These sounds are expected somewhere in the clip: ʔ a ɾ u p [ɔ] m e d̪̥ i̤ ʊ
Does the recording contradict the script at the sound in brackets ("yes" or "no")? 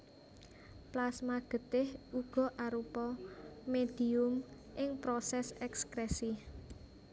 no